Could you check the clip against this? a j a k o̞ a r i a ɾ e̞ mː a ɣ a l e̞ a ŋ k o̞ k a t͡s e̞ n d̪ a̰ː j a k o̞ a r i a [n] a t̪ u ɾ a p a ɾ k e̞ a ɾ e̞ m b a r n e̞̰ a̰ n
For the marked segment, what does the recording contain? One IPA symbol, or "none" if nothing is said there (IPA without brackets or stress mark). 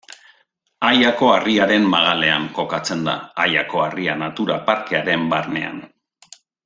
n